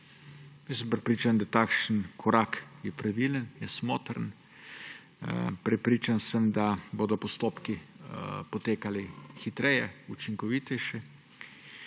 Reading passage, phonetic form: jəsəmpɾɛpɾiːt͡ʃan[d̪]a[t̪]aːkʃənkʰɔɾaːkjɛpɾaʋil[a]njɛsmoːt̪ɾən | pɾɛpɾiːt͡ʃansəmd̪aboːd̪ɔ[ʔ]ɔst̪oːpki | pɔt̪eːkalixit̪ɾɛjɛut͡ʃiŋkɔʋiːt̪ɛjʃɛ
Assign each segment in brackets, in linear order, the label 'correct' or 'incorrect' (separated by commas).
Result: correct, correct, incorrect, incorrect